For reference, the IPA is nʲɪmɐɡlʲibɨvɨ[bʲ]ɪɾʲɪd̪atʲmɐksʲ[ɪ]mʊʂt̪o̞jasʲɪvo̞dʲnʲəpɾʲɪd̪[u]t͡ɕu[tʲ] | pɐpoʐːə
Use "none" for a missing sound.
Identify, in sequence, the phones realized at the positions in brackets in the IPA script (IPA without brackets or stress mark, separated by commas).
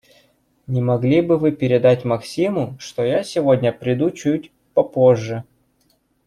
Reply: pʲ, i, u, tʲ